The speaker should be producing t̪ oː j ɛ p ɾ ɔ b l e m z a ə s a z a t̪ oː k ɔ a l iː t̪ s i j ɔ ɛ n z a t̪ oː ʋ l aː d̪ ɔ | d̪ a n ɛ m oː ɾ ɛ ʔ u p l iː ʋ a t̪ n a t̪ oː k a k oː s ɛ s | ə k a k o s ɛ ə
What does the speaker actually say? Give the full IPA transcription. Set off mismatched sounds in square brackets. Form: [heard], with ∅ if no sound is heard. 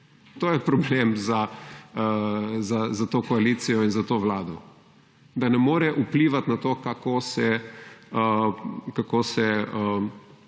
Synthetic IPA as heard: t̪ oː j ɛ p ɾ ɔ b l e m z a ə [z] a z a t̪ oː k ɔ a l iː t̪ s i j ɔ [i] n z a t̪ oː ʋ l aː d̪ ɔ | d̪ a n ɛ m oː ɾ ɛ ʔ u p l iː ʋ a t̪ n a t̪ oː k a k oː s ɛ [∅] | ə k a k o s ɛ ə